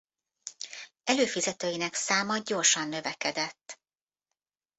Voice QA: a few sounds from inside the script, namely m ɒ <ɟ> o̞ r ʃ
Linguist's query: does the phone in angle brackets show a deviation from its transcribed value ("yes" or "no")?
no